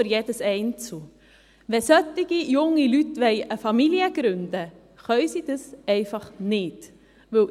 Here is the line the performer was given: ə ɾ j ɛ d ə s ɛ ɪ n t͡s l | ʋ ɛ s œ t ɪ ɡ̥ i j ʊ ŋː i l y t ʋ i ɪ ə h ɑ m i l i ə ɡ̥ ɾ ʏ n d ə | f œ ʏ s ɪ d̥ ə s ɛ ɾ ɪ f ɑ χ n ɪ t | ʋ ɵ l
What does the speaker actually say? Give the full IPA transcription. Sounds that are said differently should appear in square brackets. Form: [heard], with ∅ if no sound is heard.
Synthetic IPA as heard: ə ɾ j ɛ d ə s ɛ ɪ n t͡s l | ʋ ɛ s œ t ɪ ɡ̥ i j ʊ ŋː i l y t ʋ [ɛ] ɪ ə [f] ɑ m i l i ə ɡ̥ ɾ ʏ n d ə | [χ] œ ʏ s [i] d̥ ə s ɛ [∅] ɪ f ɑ χ n ɪ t | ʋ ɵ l